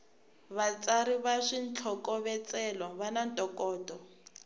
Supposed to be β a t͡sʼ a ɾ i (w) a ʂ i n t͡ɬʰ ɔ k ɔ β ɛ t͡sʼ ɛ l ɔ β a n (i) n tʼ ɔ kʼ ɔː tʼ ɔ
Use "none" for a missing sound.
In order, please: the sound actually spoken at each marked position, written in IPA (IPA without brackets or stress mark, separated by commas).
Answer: β, a